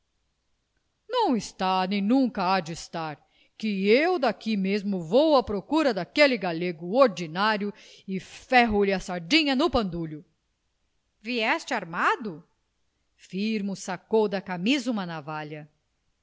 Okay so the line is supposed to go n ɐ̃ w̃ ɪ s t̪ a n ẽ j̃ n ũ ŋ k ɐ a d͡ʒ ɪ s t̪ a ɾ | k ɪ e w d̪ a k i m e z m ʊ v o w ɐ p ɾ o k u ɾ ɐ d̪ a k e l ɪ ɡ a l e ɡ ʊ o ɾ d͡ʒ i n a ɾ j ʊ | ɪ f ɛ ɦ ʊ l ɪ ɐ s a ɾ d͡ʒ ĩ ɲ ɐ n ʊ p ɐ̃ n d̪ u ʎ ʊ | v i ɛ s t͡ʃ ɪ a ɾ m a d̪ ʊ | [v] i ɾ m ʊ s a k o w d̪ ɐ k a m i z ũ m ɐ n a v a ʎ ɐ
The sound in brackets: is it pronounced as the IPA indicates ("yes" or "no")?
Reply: no